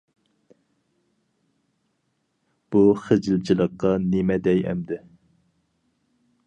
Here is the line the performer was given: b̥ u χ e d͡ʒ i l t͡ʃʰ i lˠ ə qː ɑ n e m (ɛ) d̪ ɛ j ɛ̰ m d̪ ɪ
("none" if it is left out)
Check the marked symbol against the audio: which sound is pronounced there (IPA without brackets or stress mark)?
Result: ɛ